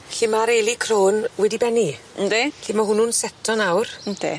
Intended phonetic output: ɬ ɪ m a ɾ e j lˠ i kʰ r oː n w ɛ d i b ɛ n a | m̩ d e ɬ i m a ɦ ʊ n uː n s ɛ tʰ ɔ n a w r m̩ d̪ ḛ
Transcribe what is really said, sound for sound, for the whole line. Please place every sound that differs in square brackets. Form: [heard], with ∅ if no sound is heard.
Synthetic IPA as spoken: ɬ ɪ m a ɾ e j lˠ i kʰ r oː n w ɛ d i b ɛ n [i] | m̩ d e ɬ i m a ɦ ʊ n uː n s ɛ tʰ ɔ n a w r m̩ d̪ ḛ